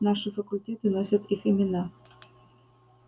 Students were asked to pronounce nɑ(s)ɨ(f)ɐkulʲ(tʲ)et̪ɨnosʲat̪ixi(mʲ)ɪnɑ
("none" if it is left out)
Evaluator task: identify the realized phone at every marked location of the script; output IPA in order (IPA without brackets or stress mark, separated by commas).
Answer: ʂ, f, tʲ, mʲ